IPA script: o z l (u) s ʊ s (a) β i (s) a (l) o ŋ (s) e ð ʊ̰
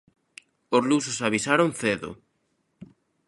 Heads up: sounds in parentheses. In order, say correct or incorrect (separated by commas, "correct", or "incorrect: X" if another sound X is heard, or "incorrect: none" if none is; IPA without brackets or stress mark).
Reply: correct, correct, correct, incorrect: ɾ, incorrect: θ